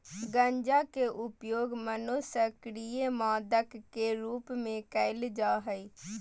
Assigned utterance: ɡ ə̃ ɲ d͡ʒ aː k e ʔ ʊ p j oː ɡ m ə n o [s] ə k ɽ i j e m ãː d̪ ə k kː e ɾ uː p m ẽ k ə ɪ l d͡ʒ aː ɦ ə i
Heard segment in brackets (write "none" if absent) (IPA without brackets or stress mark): s